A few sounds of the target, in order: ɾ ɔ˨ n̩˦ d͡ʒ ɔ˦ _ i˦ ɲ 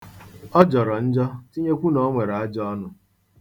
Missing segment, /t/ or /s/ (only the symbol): t